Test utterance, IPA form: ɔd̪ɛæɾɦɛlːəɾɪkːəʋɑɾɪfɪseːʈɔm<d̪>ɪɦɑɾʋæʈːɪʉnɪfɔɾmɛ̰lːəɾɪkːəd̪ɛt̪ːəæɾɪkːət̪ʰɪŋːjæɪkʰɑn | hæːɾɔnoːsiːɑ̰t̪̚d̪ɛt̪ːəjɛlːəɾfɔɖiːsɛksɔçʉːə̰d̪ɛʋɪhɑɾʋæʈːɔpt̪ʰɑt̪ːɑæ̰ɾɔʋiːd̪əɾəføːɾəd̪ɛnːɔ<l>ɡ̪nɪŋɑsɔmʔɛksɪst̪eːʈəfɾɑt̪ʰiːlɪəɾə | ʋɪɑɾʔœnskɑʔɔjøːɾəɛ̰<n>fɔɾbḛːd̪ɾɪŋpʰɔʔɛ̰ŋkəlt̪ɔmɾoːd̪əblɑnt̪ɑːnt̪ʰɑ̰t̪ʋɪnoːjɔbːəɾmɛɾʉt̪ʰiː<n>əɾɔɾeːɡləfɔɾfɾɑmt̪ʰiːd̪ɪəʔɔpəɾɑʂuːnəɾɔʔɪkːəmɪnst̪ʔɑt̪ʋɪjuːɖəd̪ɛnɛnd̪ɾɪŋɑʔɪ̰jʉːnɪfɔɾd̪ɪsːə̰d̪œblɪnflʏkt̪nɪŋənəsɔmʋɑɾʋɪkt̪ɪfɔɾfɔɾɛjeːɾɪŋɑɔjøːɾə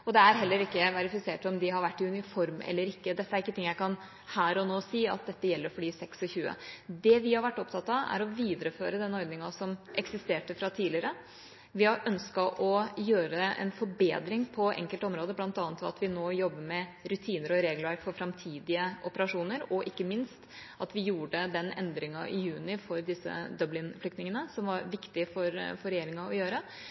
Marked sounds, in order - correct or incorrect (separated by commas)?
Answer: correct, incorrect, correct, correct